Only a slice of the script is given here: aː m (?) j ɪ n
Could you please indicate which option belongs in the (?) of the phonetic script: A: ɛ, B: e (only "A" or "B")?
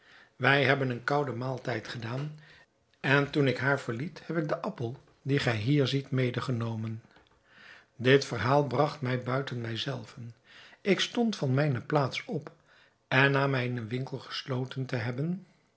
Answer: A